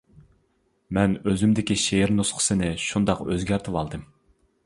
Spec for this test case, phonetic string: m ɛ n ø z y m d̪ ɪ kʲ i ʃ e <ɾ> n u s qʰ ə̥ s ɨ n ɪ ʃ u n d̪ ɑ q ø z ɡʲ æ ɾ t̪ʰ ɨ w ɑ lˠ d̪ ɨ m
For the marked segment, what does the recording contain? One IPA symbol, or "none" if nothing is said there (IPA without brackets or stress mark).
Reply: ɾ